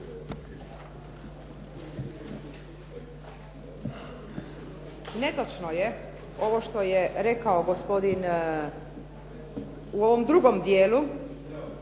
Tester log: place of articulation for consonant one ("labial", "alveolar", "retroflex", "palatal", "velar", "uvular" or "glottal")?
alveolar